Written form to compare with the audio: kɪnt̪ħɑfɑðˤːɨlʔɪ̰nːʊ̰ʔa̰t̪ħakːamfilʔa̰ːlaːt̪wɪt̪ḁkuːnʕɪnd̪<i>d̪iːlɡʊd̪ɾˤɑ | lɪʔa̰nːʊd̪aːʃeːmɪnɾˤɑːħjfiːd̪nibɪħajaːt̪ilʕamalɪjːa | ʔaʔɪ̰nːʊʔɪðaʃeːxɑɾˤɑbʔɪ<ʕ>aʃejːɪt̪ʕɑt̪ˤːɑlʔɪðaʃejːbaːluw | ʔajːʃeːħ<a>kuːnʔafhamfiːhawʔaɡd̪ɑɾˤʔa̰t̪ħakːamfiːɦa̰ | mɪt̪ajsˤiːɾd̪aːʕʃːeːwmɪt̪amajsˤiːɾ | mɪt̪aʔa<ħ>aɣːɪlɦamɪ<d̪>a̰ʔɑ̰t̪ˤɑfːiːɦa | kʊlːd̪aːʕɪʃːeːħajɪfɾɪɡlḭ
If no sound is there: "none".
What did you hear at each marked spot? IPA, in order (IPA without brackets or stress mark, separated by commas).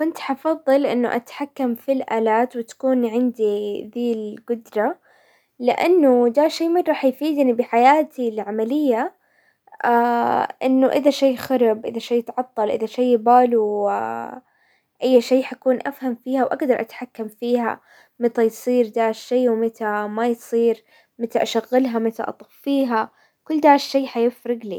i, ð, a, ʃ, t̪